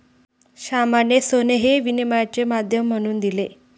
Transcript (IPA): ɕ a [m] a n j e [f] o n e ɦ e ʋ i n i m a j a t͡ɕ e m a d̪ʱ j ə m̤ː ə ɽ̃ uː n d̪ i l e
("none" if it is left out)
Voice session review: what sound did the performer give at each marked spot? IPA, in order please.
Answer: m, s

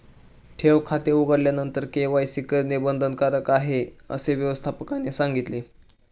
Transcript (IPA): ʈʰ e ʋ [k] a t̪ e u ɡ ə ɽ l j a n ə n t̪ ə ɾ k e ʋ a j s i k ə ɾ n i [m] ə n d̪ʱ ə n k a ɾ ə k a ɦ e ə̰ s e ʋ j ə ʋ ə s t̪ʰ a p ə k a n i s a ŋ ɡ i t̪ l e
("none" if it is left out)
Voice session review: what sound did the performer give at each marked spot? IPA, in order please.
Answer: kʰ, b

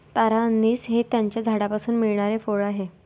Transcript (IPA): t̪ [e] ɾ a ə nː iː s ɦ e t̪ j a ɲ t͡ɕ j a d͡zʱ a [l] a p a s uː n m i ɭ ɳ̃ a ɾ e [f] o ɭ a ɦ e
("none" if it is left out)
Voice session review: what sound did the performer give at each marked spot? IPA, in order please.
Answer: a, ɽ, f

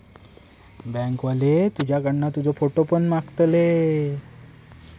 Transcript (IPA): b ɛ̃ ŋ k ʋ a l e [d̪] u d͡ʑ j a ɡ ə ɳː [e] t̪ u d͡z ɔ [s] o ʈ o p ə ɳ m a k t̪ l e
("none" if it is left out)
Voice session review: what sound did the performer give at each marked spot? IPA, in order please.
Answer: t̪, a, f

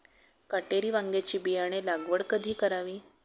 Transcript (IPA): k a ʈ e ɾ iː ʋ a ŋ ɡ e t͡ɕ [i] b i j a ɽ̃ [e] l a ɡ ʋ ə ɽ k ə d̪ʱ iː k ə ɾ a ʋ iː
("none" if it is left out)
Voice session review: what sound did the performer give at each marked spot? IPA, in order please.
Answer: iː, e

